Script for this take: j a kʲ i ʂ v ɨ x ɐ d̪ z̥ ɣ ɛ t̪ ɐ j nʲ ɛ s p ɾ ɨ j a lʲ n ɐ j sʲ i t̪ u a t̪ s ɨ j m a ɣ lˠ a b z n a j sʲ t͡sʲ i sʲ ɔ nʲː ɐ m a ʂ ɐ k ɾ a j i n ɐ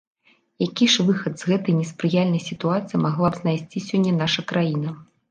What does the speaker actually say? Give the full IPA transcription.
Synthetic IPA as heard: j a kʲ i ʂ v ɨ x ɐ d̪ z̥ ɣ ɛ t̪ ɐ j nʲ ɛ s p ɾ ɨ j a lʲ n ɐ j sʲ i t̪ u a t̪ s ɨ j m a ɣ lˠ a b z n a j sʲ t͡sʲ i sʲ ɔ nʲː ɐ n a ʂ ɐ k ɾ a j i n ɐ